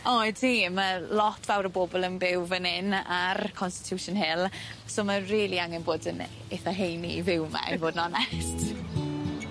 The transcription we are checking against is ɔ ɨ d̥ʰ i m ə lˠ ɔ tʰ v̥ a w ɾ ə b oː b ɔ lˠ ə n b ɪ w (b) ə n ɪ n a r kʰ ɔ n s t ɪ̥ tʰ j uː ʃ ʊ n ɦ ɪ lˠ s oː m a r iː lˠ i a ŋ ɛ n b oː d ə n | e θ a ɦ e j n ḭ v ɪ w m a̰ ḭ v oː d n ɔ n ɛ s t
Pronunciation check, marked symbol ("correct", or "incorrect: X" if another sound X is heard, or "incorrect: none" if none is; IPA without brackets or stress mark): incorrect: v